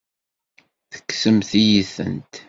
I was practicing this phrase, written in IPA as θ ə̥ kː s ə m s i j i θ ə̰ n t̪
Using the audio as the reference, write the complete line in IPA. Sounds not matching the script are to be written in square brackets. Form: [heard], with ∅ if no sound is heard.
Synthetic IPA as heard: θ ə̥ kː s ə m [θ] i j i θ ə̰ n t̪